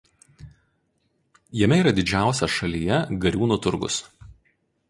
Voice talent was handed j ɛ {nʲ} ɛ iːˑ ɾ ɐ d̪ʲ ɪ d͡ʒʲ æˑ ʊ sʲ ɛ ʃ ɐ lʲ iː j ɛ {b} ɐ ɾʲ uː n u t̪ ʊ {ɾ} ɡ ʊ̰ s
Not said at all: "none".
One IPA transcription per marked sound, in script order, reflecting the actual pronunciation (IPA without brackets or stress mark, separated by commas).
mʲ, ɡ, ɾ